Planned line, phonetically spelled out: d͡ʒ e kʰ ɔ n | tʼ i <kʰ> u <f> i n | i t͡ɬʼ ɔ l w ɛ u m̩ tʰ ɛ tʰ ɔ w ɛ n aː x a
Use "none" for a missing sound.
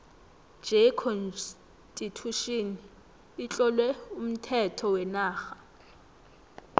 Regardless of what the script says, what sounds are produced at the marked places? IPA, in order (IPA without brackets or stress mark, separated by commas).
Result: tʰ, ʃ